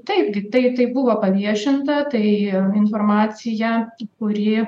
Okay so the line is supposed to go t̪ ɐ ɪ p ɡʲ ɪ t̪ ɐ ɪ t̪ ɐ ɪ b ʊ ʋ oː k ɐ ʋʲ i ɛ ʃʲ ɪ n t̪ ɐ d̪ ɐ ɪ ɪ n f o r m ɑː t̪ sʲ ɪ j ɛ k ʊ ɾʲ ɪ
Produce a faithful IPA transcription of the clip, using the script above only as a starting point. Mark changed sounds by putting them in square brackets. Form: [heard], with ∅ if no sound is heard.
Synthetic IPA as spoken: t̪ ɐ ɪ p ɡʲ ɪ t̪ ɐ ɪ t̪ ɐ ɪ b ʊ ʋ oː [p] ɐ ʋʲ i ɛ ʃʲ ɪ n t̪ ɐ [t̪] ɐ ɪ ɪ n f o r m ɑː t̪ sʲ ɪ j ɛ k ʊ ɾʲ ɪ